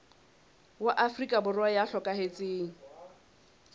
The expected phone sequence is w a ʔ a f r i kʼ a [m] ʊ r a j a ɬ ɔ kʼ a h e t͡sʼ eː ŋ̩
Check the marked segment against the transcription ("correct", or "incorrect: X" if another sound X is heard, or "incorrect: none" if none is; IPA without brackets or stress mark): incorrect: b